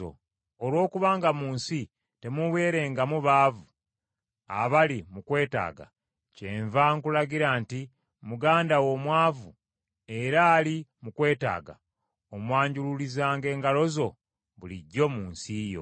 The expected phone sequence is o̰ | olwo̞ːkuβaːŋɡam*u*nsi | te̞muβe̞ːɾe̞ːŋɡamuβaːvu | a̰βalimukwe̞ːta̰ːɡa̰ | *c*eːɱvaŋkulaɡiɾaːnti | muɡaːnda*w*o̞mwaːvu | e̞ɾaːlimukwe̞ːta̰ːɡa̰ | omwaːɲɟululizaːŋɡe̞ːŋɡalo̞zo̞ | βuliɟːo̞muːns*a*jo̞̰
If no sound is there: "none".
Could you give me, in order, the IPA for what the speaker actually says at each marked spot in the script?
uː, c, w, i

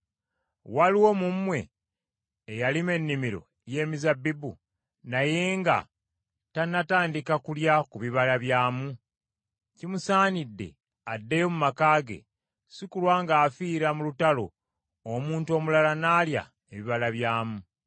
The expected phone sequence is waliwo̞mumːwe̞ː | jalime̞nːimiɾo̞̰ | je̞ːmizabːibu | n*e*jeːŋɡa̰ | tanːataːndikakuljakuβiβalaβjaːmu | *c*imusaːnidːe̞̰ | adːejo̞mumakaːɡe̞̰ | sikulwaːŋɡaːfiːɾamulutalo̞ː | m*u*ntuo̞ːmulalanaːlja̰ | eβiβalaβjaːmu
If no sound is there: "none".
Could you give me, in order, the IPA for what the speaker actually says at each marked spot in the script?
a, c, uː

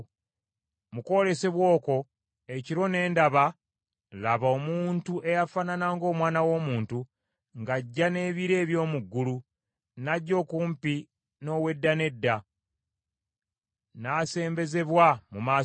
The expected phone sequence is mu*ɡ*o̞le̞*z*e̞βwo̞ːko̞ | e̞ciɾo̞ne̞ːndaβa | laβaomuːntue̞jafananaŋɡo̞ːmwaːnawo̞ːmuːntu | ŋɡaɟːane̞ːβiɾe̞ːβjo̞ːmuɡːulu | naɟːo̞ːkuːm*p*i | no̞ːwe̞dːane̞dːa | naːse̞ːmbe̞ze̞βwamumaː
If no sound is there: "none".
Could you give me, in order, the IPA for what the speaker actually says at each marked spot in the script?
k, s, p

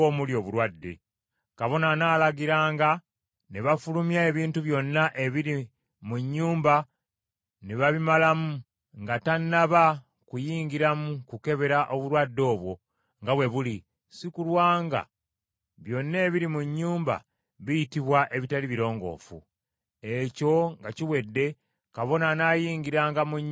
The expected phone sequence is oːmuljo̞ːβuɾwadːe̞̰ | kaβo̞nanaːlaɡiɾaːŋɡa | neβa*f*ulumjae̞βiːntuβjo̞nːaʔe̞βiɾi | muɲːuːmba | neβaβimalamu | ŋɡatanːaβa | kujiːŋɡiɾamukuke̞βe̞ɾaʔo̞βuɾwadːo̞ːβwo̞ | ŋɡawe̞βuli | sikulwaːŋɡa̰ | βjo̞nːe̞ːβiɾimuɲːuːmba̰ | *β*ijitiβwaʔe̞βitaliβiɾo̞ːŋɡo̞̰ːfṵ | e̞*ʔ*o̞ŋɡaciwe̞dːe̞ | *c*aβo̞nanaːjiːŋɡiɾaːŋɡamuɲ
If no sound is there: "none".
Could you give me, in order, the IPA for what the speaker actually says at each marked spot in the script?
f, β, c, k

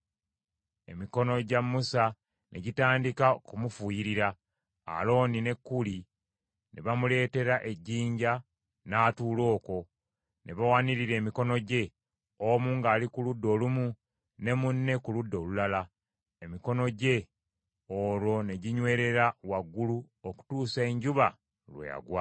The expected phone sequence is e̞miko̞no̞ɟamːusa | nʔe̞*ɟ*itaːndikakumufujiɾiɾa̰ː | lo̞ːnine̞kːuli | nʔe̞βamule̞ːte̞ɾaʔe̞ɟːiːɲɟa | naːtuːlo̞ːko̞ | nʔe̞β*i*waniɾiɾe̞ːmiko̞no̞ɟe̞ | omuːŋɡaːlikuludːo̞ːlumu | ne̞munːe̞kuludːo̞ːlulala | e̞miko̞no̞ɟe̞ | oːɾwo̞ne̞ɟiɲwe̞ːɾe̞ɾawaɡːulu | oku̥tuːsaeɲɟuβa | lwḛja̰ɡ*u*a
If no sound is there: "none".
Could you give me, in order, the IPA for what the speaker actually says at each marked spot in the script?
ɟ, a, w

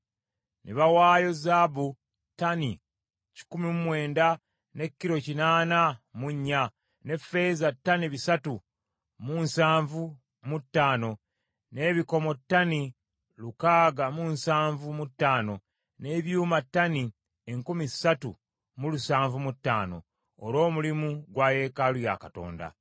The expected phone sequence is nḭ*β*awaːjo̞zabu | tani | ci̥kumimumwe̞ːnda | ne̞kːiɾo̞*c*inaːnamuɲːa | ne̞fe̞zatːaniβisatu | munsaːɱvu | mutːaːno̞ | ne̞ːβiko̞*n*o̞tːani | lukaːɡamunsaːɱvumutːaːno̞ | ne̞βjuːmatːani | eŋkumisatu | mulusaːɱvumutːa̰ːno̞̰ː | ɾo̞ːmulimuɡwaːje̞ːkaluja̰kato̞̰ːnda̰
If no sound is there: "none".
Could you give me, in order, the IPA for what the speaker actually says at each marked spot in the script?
β, c, m

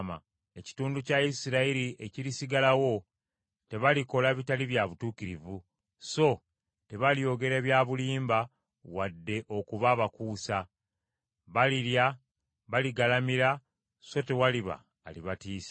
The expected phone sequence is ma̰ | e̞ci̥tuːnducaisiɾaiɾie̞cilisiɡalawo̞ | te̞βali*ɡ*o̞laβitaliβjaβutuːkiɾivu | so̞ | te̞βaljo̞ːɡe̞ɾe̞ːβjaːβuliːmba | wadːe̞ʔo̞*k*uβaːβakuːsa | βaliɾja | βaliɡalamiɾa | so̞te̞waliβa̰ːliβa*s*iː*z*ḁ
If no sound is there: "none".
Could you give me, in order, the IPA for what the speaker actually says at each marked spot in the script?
k, k, t, s

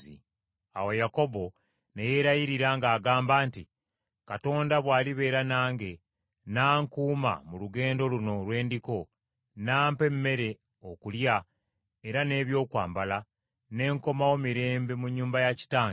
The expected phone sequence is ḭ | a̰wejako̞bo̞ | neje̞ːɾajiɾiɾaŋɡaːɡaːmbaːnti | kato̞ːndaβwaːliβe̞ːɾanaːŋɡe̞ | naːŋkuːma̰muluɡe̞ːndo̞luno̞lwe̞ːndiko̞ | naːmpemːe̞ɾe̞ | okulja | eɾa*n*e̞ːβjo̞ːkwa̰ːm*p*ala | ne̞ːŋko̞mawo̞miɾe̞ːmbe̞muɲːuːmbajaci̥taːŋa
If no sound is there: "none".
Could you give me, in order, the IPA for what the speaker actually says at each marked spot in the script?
n, b

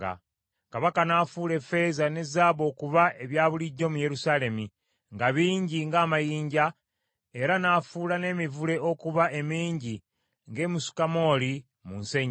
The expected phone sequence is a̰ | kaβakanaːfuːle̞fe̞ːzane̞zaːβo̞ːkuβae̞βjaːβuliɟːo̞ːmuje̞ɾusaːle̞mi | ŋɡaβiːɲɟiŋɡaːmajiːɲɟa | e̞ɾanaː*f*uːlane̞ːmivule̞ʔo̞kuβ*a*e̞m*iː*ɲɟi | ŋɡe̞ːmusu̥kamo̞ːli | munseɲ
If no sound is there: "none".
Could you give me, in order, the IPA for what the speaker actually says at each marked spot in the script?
f, a, iː

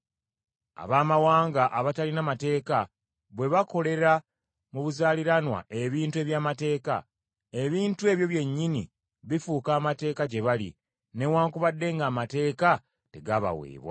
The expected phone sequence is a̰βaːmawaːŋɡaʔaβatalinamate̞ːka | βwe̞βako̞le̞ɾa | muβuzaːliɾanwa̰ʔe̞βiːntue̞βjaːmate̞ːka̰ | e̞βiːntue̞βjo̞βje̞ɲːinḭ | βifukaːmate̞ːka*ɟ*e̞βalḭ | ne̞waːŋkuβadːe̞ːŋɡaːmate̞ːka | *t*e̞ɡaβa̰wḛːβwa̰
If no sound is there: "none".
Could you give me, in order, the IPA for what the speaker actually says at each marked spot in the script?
ɟ, t

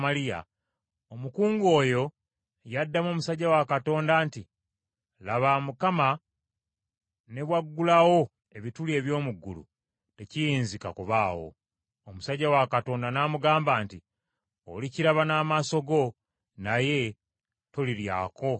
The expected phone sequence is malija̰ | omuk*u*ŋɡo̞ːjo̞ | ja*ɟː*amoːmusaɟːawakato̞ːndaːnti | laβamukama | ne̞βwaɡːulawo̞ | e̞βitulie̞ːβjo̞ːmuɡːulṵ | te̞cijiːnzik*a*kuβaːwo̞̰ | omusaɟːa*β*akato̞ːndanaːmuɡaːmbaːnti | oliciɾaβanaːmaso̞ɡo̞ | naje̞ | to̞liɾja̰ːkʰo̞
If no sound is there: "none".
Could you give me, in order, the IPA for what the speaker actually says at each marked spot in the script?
uː, dː, a, w

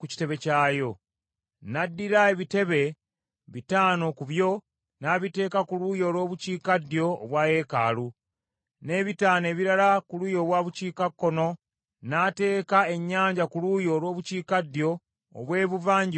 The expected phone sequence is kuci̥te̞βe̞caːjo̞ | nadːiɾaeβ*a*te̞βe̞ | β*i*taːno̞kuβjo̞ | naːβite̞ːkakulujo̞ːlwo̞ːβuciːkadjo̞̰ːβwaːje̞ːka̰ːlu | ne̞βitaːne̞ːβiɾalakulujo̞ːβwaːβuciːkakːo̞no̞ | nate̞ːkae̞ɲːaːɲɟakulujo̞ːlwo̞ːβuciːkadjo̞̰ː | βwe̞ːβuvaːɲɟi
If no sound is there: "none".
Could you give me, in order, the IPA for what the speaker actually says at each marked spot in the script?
i, i

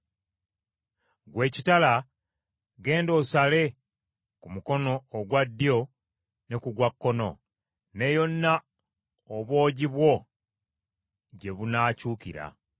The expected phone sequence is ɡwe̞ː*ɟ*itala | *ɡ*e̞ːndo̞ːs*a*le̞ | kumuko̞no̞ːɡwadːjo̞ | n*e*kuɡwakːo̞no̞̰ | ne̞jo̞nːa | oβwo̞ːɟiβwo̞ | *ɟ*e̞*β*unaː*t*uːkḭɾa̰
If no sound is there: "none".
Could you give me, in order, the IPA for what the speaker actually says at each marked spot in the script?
c, ɡ, a, e, ɟ, β, c

